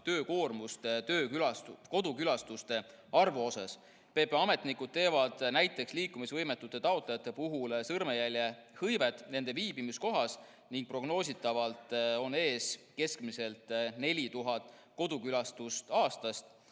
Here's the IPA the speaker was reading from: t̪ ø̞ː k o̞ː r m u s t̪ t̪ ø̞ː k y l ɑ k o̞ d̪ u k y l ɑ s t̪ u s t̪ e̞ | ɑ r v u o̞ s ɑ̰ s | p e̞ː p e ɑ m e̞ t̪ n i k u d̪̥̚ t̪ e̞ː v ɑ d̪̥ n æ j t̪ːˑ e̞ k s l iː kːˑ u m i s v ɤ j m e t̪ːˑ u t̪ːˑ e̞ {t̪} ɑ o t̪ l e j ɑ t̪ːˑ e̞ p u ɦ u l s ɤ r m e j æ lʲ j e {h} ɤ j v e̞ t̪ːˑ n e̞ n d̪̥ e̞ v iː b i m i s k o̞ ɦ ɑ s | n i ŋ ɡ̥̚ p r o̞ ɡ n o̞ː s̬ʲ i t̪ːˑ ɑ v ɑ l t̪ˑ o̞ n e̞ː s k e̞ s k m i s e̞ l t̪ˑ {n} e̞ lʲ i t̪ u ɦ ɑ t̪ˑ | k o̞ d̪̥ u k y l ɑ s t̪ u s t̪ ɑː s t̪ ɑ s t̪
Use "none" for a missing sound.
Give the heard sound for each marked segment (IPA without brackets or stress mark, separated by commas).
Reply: t̪, h, n